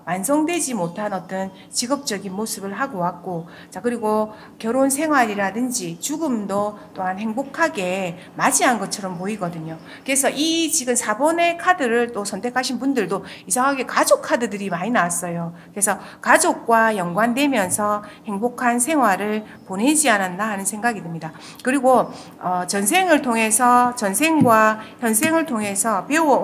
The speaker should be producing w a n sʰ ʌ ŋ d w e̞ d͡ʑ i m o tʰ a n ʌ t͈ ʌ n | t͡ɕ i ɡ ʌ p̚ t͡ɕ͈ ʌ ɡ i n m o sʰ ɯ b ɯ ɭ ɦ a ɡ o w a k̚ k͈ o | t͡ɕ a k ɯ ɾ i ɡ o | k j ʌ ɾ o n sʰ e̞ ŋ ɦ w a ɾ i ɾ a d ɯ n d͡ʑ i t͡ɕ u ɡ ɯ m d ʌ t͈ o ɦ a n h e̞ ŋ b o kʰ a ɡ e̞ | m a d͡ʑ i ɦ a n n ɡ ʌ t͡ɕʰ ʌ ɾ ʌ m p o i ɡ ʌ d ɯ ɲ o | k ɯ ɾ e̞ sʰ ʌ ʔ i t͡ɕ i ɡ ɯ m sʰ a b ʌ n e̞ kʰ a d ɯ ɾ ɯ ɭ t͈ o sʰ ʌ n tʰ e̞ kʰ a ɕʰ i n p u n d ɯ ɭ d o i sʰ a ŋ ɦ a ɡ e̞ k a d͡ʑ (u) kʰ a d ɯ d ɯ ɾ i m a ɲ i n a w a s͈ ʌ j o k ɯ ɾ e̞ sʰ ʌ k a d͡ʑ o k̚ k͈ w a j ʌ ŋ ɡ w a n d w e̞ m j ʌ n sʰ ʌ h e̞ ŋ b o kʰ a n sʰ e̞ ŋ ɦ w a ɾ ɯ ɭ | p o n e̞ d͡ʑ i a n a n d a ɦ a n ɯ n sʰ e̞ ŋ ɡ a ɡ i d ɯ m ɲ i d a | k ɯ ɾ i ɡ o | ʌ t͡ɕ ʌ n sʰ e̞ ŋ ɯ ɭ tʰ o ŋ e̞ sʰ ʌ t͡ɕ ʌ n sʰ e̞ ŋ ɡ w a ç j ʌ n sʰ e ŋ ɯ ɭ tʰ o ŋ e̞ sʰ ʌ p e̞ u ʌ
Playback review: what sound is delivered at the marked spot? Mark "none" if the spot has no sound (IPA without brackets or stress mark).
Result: o